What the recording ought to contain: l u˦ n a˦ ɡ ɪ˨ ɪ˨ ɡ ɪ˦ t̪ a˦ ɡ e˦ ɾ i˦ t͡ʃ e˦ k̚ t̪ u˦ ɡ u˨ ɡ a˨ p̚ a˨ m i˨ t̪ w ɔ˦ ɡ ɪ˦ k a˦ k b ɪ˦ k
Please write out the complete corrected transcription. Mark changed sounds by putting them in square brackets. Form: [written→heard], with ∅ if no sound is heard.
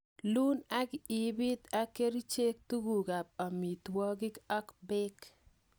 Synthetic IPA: l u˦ n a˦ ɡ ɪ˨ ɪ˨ [ɡ→b] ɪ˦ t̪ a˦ [ɡ→k] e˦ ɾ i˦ t͡ʃ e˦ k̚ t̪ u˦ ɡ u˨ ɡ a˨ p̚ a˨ m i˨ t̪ w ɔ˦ ɡ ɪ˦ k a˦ k b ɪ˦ k

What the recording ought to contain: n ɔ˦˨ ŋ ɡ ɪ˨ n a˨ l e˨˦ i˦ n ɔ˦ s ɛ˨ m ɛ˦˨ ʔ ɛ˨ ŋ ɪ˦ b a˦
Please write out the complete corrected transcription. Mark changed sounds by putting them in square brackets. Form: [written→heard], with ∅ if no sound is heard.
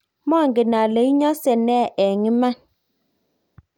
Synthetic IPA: [n→m] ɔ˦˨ ŋ ɡ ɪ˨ n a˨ l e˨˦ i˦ [n→ɲ] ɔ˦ s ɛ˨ [m→n] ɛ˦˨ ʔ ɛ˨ ŋ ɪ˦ [b→m] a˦

